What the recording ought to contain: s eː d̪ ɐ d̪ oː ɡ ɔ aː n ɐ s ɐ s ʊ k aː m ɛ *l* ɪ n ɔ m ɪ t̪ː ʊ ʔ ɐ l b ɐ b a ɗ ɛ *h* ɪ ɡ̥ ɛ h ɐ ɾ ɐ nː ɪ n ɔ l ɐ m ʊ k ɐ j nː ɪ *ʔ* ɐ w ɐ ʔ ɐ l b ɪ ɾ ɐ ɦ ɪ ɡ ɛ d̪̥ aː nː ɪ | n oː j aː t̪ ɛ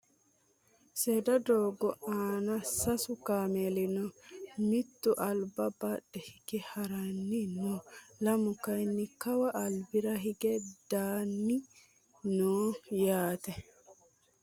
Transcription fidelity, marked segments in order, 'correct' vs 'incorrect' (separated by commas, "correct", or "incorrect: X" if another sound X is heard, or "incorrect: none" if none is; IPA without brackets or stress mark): correct, correct, incorrect: k